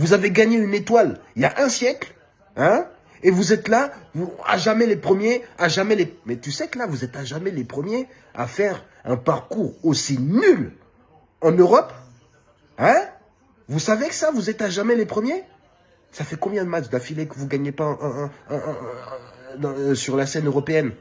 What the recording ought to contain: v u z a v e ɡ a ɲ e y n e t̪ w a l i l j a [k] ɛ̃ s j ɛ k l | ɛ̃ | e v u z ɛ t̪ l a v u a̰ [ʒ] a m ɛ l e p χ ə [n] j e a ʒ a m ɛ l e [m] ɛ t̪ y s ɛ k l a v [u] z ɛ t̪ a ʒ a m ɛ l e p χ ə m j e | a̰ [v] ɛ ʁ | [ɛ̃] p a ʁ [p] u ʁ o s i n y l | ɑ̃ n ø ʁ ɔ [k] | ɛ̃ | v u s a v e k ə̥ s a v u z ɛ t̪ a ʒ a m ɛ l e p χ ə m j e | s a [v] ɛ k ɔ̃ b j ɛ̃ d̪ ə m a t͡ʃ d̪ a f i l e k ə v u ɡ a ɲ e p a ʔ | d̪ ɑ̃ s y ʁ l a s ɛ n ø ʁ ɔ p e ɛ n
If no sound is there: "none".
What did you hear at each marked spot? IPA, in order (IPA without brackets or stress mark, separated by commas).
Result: ʔ, ʒ, m, m, u, f, ɛ̃, k, p, f